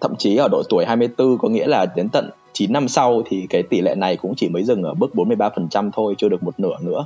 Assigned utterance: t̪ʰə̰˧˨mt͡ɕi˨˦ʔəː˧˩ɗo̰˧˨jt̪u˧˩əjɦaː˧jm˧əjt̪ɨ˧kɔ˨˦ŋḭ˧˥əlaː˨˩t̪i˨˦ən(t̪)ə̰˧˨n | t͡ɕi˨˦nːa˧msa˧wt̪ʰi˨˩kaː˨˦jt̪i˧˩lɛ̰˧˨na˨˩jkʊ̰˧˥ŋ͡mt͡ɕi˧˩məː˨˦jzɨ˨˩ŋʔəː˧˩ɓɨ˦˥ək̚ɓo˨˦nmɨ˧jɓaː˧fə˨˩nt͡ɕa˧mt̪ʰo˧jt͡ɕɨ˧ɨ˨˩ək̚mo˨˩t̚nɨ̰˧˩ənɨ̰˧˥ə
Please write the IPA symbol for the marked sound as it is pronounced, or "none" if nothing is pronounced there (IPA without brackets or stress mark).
t̪